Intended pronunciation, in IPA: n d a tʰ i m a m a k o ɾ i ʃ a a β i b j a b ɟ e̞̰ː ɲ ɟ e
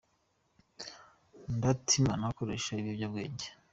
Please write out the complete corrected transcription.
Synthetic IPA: n d a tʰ i m a n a k o ɾ e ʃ a i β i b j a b ɡ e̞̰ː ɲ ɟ e